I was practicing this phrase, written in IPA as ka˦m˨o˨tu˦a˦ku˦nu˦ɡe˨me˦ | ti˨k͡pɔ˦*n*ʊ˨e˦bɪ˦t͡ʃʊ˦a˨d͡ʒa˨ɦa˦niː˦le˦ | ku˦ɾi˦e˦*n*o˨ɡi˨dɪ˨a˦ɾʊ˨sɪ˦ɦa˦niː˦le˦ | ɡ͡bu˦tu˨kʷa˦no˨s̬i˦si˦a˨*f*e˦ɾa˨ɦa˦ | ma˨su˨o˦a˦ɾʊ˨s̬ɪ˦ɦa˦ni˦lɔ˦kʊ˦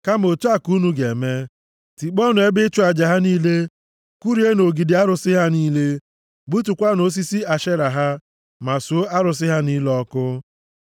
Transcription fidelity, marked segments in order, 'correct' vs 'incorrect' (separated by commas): correct, correct, incorrect